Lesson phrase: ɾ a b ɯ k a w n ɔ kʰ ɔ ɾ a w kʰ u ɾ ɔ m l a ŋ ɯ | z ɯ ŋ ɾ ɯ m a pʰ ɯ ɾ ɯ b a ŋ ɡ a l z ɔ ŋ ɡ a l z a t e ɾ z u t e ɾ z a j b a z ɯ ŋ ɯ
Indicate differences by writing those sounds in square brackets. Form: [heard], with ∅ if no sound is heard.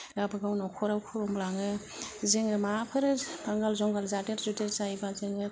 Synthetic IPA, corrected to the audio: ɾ a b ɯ [ɡ] a w n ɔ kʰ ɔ ɾ a w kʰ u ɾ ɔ m l a ŋ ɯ | z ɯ ŋ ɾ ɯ m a pʰ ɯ ɾ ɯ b a ŋ ɡ a l z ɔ ŋ ɡ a l z a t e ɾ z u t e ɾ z a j b a z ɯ ŋ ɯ

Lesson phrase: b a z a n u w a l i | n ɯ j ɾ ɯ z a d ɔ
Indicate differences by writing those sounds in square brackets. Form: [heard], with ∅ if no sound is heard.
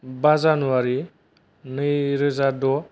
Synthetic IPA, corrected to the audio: b a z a n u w a [ɾ] i | n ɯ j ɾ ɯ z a d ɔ

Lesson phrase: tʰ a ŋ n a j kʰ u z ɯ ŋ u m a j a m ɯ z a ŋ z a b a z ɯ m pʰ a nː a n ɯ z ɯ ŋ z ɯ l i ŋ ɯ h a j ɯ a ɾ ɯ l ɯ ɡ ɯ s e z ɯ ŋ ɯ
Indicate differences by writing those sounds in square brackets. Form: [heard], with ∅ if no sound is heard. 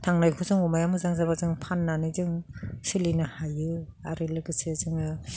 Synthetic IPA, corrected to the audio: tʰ a ŋ n a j kʰ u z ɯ ŋ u m a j a m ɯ z a ŋ z a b a z ɯ [ŋ] pʰ a nː a n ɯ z ɯ ŋ [s] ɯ l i [n] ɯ h a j ɯ a ɾ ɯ l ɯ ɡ ɯ s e z ɯ ŋ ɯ

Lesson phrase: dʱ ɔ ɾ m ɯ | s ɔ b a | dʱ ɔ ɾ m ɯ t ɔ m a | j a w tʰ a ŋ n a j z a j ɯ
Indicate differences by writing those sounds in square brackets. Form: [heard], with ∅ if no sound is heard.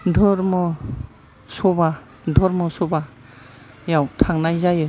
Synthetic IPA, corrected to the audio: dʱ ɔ ɾ m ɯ | s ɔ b a | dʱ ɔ ɾ m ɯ [s] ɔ [b] a | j a w tʰ a ŋ n a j z a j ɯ

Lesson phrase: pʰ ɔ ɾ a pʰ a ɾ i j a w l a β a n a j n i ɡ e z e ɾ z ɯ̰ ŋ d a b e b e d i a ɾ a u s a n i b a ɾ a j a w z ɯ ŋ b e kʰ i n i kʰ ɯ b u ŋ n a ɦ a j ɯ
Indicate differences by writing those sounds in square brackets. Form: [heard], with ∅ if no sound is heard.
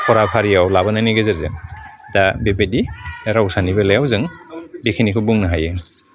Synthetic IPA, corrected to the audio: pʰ ɔ ɾ a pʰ a ɾ i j a w l a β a n a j n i ɡ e z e ɾ z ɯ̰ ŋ d a b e b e d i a ɾ a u s a n i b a [l] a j a w z ɯ ŋ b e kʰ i n i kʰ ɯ b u ŋ n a ɦ a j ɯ

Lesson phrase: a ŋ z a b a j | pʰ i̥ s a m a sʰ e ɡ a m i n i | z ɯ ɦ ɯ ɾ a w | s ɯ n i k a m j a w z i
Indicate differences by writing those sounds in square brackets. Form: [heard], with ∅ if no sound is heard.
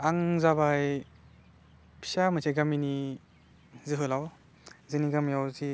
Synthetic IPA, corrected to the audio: a ŋ z a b a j | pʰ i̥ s a m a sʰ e ɡ a m i n i | z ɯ ɦ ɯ [l] a w | [z] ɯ n i [ɡ] a m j a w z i

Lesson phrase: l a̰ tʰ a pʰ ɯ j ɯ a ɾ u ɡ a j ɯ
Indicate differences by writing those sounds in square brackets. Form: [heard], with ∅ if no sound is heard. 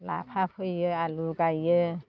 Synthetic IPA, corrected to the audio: l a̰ [pʰ] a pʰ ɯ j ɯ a [l] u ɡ a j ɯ

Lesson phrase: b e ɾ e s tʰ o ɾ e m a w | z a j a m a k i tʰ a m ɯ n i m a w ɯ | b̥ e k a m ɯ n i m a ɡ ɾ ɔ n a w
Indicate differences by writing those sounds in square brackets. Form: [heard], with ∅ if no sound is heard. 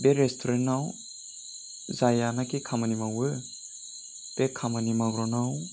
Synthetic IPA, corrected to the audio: b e ɾ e s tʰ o ɾ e [n] a w | z a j a [n] a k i [kʰ] a m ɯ n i m a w ɯ | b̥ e [kʰ] a m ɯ n i m a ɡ ɾ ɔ n a w

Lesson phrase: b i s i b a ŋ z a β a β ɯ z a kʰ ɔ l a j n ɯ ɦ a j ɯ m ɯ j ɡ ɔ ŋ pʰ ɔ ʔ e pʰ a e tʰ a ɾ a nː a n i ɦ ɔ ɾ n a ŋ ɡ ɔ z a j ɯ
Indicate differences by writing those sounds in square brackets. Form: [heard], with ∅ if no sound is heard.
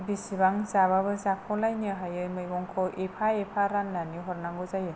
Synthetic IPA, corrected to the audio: b i s i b a ŋ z a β a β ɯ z a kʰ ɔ l a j n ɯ ɦ a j ɯ m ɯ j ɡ ɔ ŋ [kʰ] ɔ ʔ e pʰ a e [pʰ] a ɾ a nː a n i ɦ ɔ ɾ n a ŋ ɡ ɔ z a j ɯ

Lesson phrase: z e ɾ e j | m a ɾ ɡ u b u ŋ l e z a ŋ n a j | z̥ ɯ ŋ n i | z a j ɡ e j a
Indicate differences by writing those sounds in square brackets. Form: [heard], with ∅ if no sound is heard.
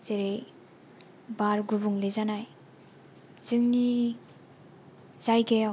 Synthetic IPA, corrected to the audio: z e ɾ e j | [b] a ɾ ɡ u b u ŋ l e z a [∅] n a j | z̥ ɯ ŋ n i | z a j ɡ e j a

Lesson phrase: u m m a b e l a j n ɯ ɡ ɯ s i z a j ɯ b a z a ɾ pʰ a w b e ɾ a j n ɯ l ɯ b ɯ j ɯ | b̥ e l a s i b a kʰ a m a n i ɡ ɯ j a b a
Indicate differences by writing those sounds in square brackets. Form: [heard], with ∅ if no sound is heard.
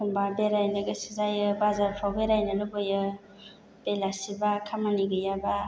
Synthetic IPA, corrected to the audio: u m [b] a b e [ɾ] a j n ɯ ɡ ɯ s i z a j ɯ b a z a ɾ pʰ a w b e ɾ a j n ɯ l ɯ b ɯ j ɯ | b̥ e l a s i b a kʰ a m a n i ɡ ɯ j a b a

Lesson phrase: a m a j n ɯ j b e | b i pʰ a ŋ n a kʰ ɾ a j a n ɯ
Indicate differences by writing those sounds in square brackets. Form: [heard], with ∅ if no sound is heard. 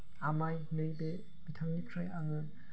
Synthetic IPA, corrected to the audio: a m a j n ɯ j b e | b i [tʰ] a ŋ n [i] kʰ ɾ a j a [ŋ] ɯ

